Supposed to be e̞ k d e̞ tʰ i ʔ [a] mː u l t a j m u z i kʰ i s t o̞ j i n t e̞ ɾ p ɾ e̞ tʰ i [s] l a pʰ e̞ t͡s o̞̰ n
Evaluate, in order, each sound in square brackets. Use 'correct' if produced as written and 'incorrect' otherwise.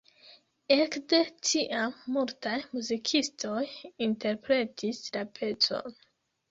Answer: correct, correct

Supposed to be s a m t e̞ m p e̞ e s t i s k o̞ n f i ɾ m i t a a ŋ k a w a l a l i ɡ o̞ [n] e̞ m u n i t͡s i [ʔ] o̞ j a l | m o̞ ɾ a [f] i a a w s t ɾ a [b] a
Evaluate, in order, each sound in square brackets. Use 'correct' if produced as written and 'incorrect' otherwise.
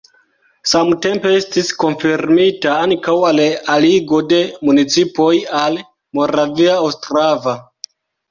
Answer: incorrect: d, incorrect: p, incorrect: v, incorrect: v

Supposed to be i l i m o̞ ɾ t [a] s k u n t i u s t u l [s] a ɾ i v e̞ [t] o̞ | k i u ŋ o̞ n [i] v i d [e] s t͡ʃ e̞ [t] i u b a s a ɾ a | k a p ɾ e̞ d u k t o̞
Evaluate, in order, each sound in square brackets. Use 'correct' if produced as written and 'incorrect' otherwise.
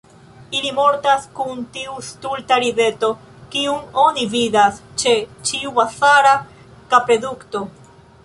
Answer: correct, incorrect: t, correct, correct, incorrect: a, incorrect: t͡ʃ

